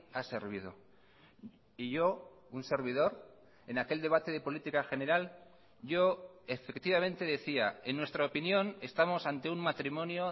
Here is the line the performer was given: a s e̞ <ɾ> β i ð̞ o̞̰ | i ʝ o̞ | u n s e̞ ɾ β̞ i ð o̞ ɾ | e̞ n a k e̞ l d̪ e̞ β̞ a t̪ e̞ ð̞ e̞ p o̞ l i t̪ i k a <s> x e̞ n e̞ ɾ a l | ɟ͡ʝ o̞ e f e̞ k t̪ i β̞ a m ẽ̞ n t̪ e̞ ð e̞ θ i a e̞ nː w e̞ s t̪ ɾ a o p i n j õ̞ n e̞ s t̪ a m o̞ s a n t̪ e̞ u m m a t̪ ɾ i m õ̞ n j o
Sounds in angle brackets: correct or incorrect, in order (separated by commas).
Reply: correct, incorrect